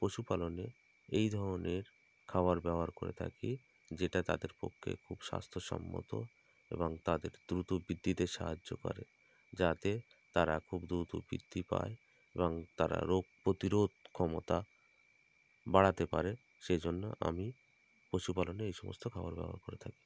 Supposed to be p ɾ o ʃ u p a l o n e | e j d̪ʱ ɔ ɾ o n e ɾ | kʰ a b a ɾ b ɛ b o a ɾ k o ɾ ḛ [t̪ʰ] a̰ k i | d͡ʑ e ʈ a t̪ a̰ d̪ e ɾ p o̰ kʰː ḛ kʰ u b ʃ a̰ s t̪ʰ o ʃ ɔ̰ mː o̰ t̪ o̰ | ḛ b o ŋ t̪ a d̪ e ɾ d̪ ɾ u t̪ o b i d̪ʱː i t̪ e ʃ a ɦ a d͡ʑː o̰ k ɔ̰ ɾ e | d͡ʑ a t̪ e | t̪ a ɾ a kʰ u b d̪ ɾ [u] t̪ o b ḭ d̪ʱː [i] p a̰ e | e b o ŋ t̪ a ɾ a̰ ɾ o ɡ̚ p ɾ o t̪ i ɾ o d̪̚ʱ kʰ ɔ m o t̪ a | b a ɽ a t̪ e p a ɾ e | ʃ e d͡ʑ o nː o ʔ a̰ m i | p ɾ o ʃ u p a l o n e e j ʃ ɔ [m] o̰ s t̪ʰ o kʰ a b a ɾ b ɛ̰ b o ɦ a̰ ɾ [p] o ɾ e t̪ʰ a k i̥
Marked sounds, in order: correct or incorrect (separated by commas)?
correct, correct, correct, correct, incorrect